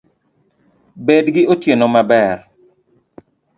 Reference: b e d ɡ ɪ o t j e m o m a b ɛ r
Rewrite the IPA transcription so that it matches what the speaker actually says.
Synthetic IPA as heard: b e d ɡ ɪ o t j e n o m a b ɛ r